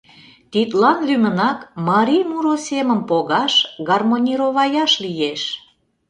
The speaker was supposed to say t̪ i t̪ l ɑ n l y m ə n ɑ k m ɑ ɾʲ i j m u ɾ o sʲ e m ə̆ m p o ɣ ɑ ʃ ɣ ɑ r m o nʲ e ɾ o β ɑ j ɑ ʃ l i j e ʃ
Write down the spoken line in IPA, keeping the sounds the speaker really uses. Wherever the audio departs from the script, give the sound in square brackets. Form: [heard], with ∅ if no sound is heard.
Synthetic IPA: t̪ i t̪ l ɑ n l y m ə n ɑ k m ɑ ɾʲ i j m u ɾ o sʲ e m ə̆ m p o ɣ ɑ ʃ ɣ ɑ r m o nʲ [i] ɾ o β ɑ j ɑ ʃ l i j e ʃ